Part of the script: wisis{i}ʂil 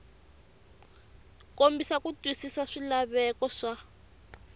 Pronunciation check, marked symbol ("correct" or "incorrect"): incorrect